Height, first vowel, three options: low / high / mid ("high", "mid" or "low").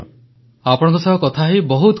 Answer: low